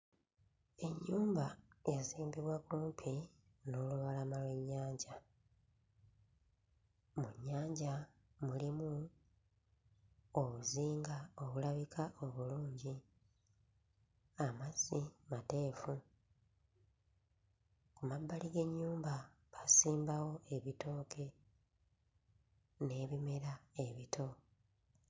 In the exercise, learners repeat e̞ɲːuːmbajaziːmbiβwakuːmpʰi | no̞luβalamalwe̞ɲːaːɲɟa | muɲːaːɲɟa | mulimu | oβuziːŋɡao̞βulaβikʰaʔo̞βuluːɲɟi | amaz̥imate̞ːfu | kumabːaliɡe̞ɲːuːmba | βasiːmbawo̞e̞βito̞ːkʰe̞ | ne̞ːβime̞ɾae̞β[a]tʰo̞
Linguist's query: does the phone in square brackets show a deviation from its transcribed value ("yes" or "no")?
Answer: yes